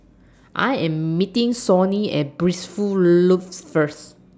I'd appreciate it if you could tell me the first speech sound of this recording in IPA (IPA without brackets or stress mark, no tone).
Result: ʔ